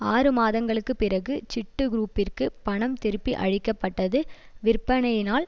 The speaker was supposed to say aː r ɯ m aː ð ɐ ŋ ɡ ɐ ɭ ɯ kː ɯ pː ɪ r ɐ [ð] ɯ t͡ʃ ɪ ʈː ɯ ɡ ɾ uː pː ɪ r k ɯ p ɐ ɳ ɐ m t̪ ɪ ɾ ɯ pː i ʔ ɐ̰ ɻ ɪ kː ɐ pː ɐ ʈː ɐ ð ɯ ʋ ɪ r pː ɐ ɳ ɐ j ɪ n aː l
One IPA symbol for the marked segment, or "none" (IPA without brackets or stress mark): ɣ